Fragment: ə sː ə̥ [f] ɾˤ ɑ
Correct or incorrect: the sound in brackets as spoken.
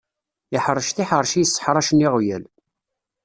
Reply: incorrect: ħ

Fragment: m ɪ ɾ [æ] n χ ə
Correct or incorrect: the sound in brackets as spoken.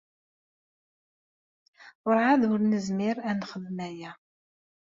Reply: correct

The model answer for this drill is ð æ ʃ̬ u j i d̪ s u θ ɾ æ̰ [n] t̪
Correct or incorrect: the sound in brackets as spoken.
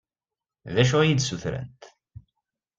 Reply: correct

